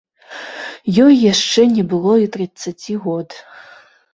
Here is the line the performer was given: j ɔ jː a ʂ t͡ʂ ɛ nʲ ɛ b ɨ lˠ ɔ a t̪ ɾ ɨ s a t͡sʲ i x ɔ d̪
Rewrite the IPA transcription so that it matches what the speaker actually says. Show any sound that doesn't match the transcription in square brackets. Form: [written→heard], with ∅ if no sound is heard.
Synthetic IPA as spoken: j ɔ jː a ʂ t͡ʂ ɛ nʲ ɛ b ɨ lˠ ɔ [a→i] t̪ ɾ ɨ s a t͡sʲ i [x→ɣ] ɔ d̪

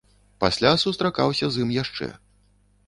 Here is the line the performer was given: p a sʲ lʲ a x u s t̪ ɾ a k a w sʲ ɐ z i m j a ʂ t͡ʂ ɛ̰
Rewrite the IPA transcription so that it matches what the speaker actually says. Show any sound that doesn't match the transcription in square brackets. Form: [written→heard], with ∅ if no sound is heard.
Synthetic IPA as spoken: p a sʲ lʲ a [x→s] u s t̪ ɾ a k a w sʲ ɐ z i m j a ʂ t͡ʂ ɛ̰

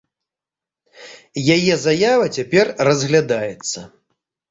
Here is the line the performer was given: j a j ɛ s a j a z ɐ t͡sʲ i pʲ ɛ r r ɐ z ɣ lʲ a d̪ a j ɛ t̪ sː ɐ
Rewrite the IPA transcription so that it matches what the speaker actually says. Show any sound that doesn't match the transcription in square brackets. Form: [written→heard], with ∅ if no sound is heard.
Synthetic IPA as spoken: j a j ɛ [s→z] a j a [z→v] ɐ t͡sʲ [i→a] pʲ ɛ r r ɐ z ɣ lʲ a d̪ a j ɛ t̪ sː ɐ

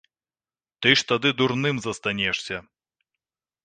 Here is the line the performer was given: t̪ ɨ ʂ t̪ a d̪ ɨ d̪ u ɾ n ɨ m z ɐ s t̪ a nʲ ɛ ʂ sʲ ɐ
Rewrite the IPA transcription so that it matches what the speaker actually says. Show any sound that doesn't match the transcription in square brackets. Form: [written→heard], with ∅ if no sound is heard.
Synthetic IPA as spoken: t̪ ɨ ʂ t̪ a d̪ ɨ d̪ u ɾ n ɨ m z ɐ s t̪ a nʲ ɛ ʂ sʲ ɐ

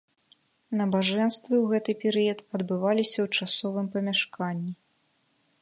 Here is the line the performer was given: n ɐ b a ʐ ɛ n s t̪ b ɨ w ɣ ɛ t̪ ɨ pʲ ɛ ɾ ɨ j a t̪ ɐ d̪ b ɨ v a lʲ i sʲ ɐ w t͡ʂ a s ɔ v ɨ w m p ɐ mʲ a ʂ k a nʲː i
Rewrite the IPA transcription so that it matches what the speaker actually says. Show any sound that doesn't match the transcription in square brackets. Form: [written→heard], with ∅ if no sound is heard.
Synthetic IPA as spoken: n ɐ b a ʐ ɛ n s t̪ [b→v] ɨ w ɣ ɛ t̪ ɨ pʲ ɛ ɾ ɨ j [a→ɐ] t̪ ɐ d̪ b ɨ v a lʲ i sʲ ɐ w t͡ʂ a s ɔ v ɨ [w→∅] m p ɐ mʲ a ʂ k a nʲː i

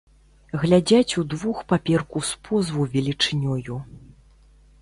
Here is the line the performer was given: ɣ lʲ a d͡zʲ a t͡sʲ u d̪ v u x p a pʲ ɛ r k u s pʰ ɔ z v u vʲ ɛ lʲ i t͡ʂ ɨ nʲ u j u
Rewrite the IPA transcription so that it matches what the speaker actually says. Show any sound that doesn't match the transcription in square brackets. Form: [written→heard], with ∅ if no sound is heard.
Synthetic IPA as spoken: ɣ lʲ a d͡zʲ a t͡sʲ u d̪ v u x p a pʲ ɛ r k u s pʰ ɔ z v u vʲ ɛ lʲ i t͡ʂ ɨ nʲ [u→ɔ] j u

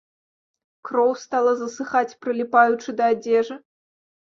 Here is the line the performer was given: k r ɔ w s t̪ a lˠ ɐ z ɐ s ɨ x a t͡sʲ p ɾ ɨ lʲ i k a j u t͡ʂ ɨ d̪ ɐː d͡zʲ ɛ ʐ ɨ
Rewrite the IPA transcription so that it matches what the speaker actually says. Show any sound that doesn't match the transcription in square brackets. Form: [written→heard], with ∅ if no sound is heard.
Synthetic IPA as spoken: k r ɔ w s t̪ a lˠ ɐ z ɐ s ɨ x a t͡sʲ p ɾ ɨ lʲ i [k→p] a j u t͡ʂ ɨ d̪ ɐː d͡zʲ ɛ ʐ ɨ

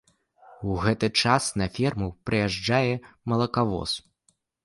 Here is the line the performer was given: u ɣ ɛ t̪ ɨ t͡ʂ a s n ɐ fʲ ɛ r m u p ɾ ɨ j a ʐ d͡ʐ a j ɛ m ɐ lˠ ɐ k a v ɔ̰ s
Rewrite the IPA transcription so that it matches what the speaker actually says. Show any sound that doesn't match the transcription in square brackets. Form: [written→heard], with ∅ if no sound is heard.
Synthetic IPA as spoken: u ɣ ɛ t̪ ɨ t͡ʂ a s n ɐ fʲ ɛ r m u p ɾ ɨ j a ʐ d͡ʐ a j ɛ m ɐ lˠ ɐ k a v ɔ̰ s

